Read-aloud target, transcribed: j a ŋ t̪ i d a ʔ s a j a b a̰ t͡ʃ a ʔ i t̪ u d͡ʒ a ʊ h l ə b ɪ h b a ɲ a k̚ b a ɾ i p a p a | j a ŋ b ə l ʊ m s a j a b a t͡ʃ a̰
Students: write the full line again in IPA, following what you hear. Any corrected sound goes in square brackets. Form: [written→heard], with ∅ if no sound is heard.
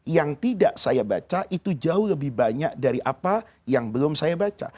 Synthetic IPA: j a ŋ t̪ i d a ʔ s a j a b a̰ t͡ʃ a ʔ i t̪ u d͡ʒ a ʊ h l ə b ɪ h b a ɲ a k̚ [b→d] a ɾ i [p→ʔ] a p a | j a ŋ b ə l ʊ m s a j a b a t͡ʃ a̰